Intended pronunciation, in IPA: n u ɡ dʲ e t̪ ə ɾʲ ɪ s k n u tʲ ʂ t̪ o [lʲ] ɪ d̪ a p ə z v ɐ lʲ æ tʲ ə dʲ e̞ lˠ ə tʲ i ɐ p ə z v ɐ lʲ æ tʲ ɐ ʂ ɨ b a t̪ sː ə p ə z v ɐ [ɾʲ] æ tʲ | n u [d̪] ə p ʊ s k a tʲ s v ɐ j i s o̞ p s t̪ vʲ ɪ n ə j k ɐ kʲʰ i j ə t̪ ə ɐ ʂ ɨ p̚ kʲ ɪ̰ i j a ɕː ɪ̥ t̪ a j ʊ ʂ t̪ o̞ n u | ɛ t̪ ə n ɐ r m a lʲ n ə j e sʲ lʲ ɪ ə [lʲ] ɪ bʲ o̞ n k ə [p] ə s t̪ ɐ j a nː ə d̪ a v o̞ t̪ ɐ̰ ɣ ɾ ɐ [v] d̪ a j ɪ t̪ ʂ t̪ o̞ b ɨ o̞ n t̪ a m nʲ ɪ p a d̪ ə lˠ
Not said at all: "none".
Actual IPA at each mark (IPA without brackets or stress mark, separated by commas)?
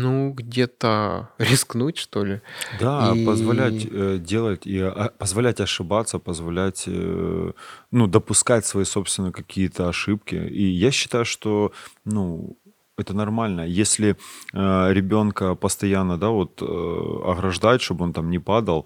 lʲ, lʲ, d̪, ɾʲ, p, ʐ